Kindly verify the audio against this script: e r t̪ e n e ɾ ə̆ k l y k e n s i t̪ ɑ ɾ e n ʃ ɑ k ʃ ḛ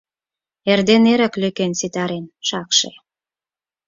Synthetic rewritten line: e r d̪ e n e ɾ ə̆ k l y k e n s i t̪ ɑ ɾ e n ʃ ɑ k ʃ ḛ